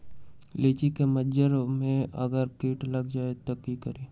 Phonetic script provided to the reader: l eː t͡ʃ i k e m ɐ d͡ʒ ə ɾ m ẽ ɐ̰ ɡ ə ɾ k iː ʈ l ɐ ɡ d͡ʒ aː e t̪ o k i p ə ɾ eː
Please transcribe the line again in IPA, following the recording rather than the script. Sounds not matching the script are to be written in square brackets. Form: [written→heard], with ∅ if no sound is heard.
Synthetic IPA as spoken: l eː t͡ʃ i k e m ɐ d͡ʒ ə ɾ m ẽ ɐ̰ ɡ ə ɾ k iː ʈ l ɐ ɡ d͡ʒ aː e t̪ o k i [p→k] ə ɾ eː